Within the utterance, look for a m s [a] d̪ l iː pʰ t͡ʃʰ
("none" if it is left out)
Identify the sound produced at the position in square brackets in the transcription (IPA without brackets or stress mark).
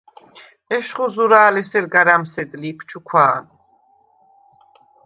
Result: ɛ